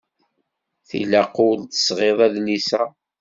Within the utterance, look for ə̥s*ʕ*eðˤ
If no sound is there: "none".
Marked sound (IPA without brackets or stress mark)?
ʁ